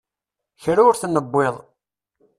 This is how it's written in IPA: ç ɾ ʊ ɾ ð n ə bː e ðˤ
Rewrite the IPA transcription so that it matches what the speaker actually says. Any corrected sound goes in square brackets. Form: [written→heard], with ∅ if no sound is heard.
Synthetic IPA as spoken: ç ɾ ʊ ɾ [ð→θ] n ə bː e ðˤ